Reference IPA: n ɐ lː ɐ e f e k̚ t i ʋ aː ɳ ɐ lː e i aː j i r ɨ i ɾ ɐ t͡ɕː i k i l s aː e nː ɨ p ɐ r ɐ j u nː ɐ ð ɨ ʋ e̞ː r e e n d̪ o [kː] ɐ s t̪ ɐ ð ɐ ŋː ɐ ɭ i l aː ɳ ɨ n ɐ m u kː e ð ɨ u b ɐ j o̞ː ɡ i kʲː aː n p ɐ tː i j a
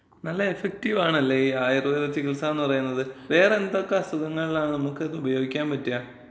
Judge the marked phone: correct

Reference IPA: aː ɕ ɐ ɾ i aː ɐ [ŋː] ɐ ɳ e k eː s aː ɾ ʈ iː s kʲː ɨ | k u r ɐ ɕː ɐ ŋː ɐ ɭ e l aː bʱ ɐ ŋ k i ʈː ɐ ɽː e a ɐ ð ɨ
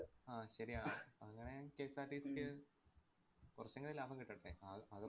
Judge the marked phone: correct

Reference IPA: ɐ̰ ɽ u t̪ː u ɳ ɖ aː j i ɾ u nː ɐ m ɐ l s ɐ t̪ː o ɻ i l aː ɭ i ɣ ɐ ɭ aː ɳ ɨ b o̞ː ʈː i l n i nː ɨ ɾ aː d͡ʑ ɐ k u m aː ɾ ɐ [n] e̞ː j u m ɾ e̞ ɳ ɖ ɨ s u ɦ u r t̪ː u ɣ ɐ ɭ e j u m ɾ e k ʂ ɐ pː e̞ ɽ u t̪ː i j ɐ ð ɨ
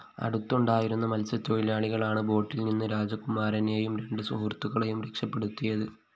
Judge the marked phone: correct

